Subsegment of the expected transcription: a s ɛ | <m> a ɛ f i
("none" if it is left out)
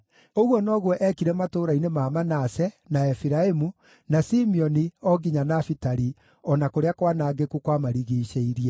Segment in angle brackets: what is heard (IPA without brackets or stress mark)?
n